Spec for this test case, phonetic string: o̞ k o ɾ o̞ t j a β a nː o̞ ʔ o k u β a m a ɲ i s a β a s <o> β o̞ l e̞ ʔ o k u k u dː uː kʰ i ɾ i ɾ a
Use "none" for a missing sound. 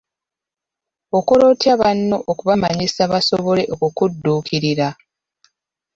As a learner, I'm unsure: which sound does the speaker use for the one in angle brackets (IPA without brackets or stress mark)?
o